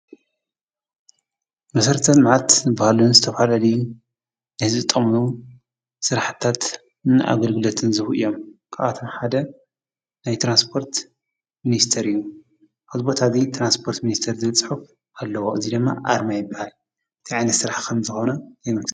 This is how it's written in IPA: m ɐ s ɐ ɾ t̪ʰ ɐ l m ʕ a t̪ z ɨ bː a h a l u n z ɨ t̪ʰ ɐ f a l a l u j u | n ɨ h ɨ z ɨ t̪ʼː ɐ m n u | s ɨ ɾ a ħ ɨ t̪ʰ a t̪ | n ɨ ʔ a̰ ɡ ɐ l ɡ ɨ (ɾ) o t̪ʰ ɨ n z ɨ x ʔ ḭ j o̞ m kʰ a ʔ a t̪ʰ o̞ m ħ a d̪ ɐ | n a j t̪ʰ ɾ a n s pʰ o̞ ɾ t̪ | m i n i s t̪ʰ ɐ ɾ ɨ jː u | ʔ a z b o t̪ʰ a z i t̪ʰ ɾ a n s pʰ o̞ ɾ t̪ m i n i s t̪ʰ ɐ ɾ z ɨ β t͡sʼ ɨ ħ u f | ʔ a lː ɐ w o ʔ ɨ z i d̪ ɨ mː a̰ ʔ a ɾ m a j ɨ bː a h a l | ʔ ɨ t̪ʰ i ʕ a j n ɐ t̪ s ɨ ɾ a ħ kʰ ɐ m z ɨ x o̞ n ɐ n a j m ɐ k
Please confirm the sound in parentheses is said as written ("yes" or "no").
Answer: no